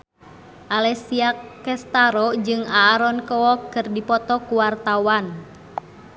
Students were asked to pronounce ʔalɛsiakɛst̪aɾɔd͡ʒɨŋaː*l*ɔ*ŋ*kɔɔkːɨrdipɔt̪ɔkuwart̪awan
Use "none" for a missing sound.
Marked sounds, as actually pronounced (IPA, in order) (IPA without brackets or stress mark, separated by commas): ɾ, n